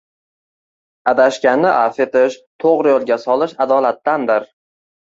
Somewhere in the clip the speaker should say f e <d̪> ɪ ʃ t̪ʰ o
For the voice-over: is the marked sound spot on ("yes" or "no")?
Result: no